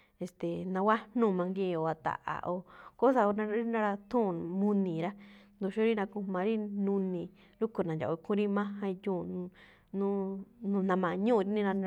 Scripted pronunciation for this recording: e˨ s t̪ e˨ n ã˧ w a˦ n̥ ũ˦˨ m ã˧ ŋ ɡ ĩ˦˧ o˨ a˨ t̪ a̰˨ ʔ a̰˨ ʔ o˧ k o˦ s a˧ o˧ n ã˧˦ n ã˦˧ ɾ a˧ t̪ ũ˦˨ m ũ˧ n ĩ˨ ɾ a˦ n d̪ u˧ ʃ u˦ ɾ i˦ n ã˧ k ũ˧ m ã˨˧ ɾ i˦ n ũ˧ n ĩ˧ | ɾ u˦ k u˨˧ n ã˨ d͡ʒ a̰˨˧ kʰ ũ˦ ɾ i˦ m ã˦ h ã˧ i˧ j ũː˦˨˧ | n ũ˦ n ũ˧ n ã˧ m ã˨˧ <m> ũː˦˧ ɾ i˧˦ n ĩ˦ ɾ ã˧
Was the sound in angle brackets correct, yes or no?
no